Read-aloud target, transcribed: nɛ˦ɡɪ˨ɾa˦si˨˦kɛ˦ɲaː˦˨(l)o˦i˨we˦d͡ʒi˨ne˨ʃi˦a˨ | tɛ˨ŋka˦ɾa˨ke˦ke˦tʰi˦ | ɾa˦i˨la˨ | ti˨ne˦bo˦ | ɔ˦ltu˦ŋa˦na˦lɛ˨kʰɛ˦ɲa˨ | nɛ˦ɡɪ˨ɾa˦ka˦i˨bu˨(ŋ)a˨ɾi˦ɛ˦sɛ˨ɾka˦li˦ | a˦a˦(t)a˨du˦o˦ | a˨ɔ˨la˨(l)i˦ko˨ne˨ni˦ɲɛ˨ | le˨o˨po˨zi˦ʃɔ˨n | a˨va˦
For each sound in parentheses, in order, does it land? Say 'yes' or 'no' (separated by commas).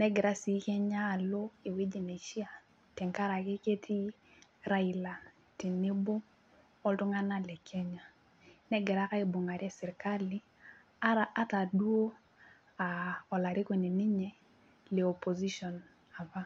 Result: yes, yes, yes, no